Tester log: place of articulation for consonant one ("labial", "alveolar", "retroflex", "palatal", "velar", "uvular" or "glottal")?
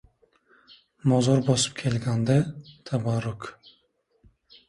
labial